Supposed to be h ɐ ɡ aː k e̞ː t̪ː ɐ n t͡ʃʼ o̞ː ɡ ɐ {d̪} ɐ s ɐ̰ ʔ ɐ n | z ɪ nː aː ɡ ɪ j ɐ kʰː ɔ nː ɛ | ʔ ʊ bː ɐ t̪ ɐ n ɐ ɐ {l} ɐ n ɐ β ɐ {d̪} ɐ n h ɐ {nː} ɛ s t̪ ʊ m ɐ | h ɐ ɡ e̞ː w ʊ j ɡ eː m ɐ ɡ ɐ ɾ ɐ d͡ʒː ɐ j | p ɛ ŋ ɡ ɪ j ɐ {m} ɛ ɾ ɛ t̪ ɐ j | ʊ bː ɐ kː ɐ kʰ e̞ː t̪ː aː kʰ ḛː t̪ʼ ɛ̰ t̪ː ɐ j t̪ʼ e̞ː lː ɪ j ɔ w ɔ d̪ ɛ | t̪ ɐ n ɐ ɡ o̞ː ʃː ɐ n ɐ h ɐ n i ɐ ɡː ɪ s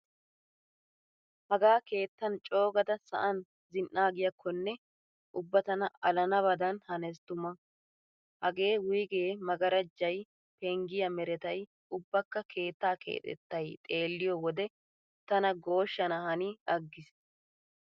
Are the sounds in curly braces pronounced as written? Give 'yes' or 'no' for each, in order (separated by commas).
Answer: yes, yes, yes, no, yes